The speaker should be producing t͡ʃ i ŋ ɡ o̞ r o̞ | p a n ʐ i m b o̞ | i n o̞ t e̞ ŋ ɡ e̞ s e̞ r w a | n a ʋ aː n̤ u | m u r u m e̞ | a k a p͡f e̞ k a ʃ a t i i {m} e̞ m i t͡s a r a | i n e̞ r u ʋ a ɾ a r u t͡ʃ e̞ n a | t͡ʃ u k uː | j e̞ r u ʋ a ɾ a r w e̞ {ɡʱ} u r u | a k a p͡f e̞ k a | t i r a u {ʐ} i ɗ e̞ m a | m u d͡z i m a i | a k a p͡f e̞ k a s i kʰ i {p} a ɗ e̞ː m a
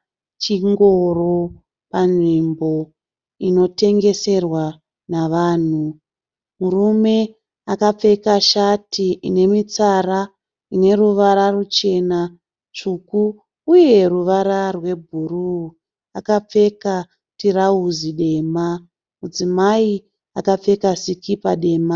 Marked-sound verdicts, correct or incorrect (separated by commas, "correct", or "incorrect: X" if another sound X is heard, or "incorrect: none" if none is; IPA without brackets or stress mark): incorrect: n, incorrect: bʱ, incorrect: z, correct